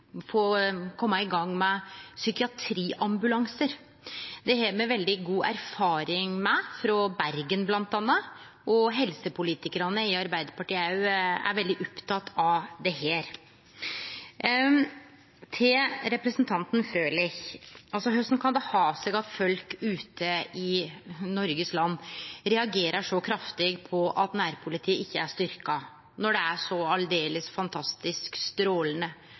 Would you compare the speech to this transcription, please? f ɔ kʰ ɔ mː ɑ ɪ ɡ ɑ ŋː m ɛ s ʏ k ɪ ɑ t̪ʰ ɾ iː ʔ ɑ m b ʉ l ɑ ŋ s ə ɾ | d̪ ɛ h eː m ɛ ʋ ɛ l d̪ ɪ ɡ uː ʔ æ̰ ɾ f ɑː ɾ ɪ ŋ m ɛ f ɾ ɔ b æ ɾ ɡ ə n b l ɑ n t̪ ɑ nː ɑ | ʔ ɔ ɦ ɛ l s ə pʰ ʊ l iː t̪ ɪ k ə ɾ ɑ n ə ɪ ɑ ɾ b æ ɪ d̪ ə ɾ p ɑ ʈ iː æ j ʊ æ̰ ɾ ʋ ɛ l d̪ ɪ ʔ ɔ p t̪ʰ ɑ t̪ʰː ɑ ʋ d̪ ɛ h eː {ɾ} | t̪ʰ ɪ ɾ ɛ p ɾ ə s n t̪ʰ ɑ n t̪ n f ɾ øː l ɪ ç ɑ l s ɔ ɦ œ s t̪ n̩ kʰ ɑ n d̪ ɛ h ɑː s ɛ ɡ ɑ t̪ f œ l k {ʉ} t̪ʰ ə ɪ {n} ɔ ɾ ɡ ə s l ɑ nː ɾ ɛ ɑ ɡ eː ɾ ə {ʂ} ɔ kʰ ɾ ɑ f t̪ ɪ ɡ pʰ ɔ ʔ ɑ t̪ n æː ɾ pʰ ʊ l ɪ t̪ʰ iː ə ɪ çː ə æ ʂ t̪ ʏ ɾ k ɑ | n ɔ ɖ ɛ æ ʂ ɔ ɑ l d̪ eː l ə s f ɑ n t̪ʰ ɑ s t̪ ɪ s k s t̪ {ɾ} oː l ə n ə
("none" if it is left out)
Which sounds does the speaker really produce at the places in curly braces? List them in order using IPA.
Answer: ɾ, ʉː, n, ʂ, ɾ

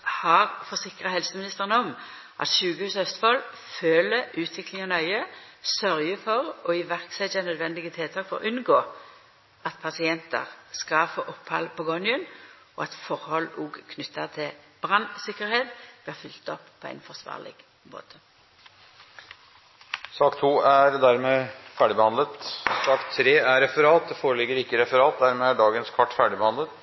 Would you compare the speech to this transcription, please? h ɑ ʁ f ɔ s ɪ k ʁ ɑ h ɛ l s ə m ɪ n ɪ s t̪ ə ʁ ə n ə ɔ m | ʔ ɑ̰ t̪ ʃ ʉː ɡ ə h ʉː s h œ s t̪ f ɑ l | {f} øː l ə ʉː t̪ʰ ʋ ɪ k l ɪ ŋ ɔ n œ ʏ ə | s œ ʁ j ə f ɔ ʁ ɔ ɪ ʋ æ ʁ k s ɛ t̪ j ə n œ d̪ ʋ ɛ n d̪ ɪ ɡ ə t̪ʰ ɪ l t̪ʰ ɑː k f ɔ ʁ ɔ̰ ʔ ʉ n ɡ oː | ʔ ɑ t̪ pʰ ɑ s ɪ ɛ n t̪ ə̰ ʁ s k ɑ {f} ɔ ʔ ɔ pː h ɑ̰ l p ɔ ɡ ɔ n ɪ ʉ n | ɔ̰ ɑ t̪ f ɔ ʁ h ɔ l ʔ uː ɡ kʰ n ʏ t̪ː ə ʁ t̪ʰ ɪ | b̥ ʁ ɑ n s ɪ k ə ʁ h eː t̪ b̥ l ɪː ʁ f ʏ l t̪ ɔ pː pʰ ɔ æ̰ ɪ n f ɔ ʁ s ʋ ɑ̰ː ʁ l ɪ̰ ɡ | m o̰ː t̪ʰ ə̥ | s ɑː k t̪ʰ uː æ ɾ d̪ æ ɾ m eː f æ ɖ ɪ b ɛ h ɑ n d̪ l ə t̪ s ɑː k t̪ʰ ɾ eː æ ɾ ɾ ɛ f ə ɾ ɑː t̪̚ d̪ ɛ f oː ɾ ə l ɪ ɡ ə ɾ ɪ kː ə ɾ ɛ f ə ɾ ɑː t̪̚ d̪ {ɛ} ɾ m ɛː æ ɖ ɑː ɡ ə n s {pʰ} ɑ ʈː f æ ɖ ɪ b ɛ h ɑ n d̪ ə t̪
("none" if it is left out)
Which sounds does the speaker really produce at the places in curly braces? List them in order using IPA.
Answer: f, f, æ, kʰ

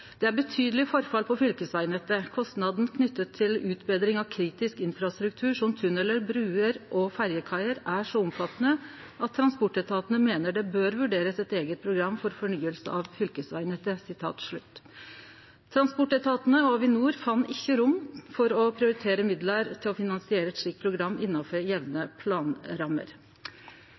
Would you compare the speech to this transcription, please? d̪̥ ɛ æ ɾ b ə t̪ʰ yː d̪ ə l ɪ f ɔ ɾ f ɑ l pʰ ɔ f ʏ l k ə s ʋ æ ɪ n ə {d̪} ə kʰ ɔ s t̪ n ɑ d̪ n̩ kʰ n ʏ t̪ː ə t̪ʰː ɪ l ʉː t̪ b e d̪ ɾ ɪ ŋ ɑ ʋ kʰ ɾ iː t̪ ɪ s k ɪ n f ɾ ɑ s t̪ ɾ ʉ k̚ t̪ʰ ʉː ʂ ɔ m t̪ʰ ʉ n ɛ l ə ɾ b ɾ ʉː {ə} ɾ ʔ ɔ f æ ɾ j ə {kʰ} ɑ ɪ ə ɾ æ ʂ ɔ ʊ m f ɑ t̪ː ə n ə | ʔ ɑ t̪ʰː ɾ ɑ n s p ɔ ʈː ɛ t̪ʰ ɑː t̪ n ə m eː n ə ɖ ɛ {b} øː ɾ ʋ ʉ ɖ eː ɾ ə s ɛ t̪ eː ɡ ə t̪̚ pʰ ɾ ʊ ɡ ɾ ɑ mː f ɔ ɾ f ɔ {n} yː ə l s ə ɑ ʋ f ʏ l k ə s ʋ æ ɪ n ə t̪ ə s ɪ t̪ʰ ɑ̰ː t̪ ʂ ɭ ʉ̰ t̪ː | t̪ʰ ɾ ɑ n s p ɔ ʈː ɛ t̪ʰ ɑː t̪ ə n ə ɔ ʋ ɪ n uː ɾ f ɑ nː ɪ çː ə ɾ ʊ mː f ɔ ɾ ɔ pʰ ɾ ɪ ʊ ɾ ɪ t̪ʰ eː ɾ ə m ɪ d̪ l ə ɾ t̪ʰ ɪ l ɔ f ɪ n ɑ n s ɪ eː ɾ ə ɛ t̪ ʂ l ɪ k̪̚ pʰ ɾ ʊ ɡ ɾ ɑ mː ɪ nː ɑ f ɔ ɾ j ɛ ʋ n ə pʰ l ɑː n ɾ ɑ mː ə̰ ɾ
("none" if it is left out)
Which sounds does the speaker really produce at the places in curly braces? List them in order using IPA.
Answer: t̪, ə, kʰ, b, ɳ

